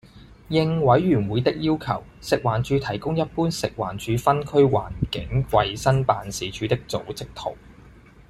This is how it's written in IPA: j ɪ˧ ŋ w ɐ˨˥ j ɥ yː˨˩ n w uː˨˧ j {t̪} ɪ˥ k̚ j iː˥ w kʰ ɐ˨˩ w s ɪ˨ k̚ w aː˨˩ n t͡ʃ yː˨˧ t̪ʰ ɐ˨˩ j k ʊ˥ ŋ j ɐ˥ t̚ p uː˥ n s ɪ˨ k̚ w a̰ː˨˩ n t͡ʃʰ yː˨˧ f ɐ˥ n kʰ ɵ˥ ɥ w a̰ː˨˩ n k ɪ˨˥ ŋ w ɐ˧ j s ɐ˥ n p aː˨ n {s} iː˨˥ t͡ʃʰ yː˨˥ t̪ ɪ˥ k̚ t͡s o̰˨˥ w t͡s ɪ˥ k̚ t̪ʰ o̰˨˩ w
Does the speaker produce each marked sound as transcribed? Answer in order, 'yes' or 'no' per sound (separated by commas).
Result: yes, yes